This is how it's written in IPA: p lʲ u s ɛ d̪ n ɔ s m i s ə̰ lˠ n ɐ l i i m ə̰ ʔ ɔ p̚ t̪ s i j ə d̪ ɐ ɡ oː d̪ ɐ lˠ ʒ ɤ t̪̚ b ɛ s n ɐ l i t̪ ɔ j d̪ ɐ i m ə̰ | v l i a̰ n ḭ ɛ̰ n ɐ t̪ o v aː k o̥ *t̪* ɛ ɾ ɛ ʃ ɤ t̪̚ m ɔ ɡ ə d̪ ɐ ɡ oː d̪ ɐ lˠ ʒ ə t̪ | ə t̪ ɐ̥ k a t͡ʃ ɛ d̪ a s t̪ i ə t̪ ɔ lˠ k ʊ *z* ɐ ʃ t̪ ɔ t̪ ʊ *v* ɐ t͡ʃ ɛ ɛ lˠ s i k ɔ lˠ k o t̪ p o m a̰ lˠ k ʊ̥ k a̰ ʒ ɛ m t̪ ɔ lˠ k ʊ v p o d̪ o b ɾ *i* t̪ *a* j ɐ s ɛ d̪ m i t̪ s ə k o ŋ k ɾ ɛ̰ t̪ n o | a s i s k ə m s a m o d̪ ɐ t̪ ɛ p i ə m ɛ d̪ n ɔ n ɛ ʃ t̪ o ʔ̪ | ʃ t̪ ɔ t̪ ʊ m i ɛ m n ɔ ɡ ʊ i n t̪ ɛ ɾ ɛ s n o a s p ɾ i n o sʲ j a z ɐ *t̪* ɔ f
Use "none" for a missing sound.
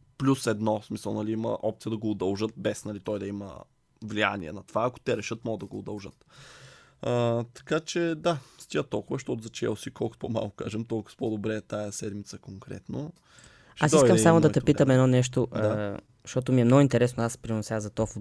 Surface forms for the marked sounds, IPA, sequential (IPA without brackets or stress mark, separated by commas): t̪, v, z, ɛ, a, t̪